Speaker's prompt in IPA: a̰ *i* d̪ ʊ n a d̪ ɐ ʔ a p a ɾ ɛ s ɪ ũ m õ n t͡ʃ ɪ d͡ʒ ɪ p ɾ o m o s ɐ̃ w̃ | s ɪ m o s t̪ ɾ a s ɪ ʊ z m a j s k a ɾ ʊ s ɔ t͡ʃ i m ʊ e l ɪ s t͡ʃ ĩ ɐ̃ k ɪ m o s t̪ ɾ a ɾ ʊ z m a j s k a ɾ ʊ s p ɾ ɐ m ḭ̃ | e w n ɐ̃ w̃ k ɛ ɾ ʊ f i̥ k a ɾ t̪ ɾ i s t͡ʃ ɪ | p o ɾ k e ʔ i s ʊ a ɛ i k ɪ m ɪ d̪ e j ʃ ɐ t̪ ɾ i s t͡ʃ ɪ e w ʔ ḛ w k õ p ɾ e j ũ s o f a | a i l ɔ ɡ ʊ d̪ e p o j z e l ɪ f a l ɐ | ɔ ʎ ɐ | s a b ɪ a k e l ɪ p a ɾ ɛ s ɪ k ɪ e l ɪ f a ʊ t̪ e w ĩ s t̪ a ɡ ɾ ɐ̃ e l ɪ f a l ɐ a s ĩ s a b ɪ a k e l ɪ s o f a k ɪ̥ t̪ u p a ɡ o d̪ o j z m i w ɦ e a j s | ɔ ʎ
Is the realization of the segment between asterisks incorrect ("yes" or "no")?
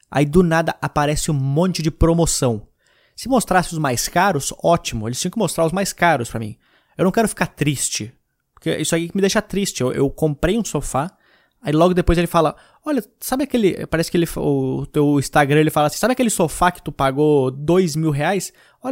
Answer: no